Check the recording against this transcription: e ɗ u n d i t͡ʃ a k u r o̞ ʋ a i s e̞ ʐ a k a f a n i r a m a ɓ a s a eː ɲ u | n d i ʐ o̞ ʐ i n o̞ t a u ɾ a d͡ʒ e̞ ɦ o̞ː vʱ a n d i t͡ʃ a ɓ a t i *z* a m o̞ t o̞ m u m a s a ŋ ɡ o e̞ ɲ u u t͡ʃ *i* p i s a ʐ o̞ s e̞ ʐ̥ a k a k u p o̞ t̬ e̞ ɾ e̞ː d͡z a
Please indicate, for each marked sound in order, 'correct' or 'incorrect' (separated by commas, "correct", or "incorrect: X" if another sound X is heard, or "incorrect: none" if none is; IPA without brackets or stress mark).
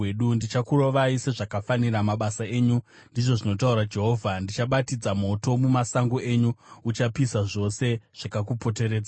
incorrect: d͡z, incorrect: a